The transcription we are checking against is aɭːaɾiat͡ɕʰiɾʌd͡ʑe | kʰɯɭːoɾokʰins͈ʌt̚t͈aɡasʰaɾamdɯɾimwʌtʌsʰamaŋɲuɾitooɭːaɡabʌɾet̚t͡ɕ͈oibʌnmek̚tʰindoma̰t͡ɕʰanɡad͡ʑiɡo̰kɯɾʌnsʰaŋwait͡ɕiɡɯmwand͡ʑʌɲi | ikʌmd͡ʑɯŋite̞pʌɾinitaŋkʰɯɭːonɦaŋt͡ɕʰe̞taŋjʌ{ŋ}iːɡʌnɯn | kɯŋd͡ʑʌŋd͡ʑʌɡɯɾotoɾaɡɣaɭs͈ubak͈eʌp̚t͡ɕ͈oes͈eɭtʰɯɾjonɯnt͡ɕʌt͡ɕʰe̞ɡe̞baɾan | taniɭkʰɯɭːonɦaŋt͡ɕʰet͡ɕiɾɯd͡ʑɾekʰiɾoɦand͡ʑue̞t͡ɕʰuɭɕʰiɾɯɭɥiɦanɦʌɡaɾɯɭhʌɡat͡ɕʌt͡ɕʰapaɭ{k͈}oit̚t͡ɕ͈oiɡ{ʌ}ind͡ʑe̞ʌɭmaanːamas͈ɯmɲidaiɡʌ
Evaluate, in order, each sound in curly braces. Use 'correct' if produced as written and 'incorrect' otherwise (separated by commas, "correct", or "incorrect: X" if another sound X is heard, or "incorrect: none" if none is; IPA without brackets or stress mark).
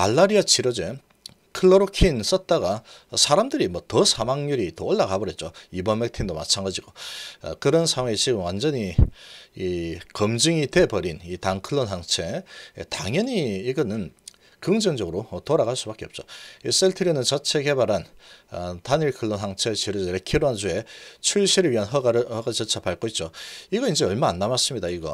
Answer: incorrect: ɲ, correct, correct